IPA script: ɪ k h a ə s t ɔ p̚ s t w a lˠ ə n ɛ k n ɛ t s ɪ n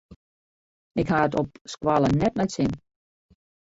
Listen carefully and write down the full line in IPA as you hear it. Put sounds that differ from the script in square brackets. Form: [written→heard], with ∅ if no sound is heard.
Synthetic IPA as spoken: ɪ k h a ə [s→∅] t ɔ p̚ s [t→k] w a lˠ ə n ɛ [k→t] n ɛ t s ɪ n